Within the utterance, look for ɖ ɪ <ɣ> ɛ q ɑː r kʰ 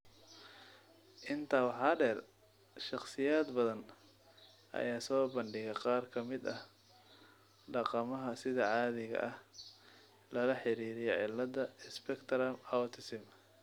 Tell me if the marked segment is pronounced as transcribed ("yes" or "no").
yes